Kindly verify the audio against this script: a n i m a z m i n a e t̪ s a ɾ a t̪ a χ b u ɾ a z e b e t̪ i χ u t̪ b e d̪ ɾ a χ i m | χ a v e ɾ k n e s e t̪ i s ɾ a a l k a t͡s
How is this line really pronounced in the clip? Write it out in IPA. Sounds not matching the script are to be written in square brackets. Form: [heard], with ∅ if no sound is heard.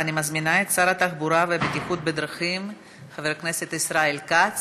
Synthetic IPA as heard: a n i m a z m i n a e t̪ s a ɾ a t̪ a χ b u ɾ a [v] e b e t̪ i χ u t̪ b e d̪ ɾ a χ i m | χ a v e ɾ k n e s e t̪ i s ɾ a [e] l k a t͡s

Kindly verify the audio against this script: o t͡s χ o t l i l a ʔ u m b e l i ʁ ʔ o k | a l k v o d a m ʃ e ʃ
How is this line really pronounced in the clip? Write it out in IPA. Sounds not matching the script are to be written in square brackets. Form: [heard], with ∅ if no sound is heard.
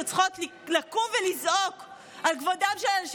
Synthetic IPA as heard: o t͡s χ o t l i l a [k] u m [v] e l i [z] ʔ o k | a l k v o d a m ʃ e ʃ

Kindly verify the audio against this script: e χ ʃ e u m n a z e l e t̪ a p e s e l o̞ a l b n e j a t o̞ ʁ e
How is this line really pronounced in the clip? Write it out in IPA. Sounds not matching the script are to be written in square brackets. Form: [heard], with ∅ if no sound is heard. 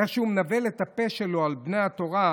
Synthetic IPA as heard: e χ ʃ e u m n a [v] e l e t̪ a p e [ʃ] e l o̞ a l b n e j a t o̞ ʁ [a]

